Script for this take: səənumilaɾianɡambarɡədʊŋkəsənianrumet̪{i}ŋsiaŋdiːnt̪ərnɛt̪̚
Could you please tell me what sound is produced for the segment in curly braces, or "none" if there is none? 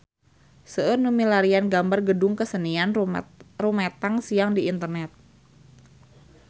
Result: a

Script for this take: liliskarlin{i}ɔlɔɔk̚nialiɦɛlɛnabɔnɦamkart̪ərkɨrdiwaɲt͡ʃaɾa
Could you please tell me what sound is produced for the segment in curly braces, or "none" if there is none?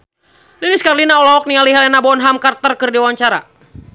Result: a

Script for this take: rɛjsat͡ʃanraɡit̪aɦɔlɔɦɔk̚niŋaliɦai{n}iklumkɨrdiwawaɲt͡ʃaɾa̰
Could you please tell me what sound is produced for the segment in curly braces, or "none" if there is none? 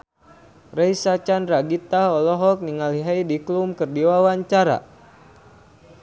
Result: d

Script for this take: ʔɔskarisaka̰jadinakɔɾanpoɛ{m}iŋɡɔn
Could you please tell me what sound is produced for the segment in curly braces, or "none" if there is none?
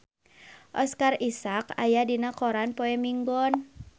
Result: m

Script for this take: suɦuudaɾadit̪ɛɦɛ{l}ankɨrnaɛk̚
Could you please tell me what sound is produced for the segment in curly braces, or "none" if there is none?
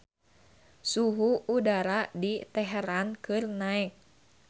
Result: ɾ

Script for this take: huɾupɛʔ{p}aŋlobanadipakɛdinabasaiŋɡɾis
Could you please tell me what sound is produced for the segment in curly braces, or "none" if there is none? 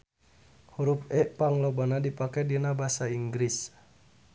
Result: p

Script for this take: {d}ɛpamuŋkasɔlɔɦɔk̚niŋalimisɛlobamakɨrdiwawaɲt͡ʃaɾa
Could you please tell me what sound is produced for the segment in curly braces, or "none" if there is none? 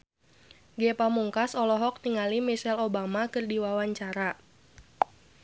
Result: ɡ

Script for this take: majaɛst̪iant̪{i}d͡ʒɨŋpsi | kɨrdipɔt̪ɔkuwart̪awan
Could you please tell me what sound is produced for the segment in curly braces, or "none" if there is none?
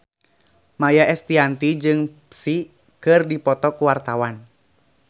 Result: i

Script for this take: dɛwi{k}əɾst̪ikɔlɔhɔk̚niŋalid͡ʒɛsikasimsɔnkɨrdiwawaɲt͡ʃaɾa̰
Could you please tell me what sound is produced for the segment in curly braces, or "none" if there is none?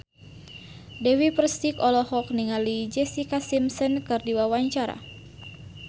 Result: p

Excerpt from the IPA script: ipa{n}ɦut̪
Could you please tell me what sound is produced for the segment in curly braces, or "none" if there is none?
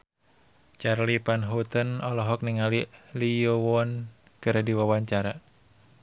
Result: n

